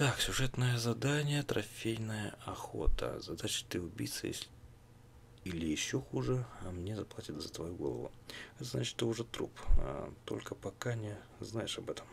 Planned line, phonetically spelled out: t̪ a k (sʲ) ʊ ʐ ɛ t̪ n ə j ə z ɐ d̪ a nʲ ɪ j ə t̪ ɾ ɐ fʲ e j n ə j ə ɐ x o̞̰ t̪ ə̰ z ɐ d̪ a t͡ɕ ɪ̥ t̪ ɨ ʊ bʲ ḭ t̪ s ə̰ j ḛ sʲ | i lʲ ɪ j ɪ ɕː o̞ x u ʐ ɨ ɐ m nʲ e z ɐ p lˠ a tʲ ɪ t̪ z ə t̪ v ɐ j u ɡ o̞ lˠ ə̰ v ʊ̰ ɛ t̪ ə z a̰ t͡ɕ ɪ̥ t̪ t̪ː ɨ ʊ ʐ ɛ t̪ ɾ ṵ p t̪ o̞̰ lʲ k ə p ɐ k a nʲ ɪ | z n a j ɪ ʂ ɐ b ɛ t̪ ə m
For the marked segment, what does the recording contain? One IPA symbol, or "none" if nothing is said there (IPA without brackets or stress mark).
sʲ